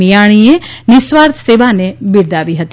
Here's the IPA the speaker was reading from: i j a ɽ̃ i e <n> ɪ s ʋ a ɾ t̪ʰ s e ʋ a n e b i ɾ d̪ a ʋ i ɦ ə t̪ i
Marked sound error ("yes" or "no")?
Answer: no